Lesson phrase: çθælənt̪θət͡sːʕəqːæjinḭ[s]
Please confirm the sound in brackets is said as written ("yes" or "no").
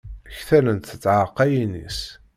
yes